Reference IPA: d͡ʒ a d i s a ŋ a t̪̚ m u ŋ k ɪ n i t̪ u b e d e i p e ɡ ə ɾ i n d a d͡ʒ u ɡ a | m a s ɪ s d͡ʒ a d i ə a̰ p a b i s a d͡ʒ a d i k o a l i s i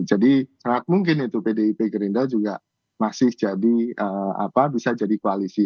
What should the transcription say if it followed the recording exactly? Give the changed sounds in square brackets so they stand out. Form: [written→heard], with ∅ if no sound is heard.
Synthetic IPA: d͡ʒ a d i s a ŋ a t̪̚ m u ŋ k ɪ n i t̪ u [b→p] e d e i p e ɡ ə ɾ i n d a d͡ʒ u ɡ a | m a s ɪ [s→h] d͡ʒ a d i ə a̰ p a b i s a d͡ʒ a d i k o a l i s i